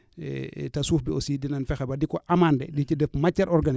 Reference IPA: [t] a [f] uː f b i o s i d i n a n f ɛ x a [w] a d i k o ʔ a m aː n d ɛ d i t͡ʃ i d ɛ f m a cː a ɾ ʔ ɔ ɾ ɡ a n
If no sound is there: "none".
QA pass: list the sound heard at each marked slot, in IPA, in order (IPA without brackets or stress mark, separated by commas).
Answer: t, s, b